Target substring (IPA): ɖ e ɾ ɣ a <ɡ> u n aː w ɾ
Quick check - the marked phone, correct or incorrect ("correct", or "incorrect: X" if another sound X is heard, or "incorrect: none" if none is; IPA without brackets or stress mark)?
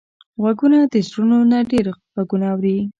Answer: correct